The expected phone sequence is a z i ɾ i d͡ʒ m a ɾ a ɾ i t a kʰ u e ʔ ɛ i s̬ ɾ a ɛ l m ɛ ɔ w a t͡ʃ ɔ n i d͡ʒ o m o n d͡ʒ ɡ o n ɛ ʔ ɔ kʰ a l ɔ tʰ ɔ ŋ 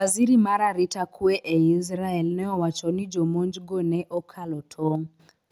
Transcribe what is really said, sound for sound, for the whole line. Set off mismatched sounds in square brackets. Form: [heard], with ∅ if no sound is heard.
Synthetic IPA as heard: a z i ɾ i [∅] m a ɾ a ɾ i t a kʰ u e ʔ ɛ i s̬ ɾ a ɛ l [n] ɛ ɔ w a t͡ʃ ɔ n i d͡ʒ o m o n d͡ʒ ɡ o n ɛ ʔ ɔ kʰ a l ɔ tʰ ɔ ŋ